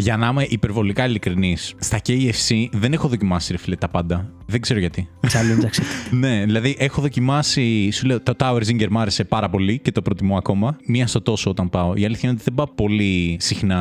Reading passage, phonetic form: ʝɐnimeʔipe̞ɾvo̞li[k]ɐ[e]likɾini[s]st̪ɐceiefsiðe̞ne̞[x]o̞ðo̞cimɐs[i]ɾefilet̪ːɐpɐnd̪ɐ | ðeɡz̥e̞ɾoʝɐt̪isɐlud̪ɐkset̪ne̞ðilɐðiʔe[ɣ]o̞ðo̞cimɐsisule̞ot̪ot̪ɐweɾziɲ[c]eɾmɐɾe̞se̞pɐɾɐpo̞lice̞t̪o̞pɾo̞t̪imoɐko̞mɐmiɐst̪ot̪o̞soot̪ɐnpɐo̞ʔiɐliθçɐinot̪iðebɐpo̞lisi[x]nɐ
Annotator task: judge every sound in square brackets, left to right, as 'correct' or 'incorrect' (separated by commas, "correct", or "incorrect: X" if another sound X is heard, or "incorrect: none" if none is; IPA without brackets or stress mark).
correct, incorrect: i, correct, correct, correct, incorrect: x, incorrect: ɟ, correct